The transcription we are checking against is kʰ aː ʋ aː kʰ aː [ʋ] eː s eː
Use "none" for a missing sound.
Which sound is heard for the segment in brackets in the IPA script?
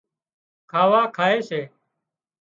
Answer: none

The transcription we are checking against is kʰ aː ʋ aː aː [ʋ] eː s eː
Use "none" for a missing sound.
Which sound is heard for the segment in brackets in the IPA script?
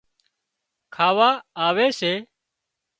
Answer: ʋ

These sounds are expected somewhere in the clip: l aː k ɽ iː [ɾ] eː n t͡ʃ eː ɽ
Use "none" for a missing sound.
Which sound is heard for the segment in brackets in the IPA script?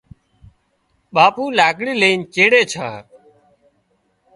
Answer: l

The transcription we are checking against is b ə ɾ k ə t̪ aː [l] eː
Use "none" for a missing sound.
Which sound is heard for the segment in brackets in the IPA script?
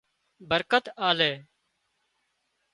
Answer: l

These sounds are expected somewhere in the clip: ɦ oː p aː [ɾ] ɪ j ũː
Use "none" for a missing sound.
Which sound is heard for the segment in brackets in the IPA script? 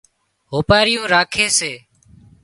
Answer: ɾ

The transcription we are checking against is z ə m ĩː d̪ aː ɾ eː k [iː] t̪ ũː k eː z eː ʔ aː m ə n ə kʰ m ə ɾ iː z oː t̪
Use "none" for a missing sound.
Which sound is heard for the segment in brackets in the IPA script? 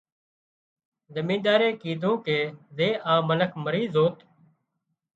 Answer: iː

